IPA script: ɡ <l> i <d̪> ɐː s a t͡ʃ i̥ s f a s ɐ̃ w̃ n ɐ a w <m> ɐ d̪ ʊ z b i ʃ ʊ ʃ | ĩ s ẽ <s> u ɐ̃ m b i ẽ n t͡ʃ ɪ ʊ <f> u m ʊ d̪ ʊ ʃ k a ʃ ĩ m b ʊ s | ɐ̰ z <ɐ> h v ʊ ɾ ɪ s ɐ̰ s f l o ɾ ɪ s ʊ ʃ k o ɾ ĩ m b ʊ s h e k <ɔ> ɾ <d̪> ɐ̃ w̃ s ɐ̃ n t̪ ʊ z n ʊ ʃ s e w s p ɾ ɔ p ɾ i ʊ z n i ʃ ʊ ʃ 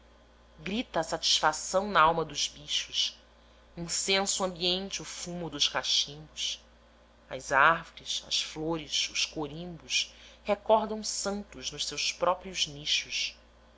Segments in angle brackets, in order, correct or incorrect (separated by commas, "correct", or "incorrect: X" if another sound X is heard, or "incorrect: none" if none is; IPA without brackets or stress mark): incorrect: ɾ, incorrect: t̪, correct, correct, correct, incorrect: a, correct, correct